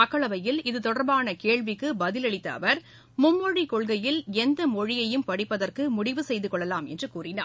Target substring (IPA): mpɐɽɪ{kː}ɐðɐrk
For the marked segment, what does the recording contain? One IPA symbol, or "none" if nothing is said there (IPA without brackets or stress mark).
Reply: pː